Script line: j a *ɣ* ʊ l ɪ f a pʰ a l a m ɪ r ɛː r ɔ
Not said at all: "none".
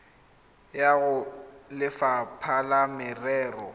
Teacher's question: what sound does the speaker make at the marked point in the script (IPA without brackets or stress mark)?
ɣ